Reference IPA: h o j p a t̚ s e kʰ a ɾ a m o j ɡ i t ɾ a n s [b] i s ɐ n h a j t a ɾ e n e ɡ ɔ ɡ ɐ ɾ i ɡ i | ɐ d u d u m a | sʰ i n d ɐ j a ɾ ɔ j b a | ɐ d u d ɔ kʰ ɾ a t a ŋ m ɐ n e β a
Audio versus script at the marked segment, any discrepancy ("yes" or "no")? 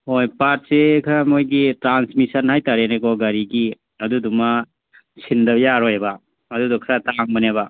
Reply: yes